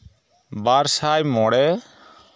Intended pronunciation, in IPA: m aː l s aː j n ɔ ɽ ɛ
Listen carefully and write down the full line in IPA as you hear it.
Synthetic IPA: b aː ɾ s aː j m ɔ ɽ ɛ